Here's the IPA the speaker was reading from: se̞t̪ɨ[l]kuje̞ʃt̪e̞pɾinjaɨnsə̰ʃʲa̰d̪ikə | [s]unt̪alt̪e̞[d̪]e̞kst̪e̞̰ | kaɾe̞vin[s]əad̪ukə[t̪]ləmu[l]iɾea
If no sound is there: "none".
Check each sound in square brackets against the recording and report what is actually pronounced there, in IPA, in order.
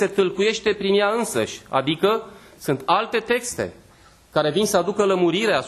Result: l, s, t̪, s, none, ɾ

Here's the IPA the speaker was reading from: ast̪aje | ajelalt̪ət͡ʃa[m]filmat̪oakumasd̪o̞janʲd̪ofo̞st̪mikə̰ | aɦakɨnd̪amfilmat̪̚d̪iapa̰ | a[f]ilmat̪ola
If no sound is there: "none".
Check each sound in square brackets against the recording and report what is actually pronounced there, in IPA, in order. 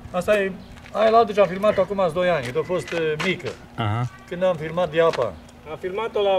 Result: m, f

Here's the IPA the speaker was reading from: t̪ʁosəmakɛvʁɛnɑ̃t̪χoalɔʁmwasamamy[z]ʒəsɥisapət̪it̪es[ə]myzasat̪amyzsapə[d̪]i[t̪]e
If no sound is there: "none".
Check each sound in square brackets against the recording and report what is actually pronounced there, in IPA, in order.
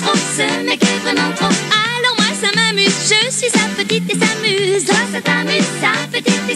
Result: z, a, t̪, t̪

